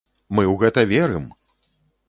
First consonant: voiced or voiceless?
voiced